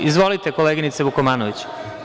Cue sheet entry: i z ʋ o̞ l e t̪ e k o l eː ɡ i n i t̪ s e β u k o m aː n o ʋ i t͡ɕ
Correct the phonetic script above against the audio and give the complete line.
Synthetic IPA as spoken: i z ʋ o̞ l i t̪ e k o l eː ɡ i n i t̪ s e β u k o m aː n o ʋ i t͡ɕ